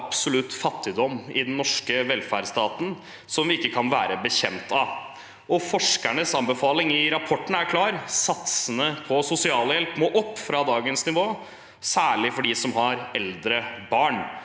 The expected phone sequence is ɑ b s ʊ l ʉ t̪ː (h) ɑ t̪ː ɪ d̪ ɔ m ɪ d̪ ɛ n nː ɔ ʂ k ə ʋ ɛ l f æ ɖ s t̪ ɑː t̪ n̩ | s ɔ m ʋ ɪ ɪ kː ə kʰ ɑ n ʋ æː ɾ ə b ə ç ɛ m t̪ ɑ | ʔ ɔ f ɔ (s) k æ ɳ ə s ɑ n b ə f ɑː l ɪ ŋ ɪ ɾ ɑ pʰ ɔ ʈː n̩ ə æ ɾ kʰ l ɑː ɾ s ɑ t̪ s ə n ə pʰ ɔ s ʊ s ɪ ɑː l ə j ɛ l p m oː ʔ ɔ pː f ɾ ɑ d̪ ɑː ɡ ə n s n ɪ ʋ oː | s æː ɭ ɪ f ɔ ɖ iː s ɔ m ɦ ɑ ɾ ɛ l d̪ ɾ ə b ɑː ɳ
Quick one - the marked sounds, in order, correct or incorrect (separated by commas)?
incorrect, incorrect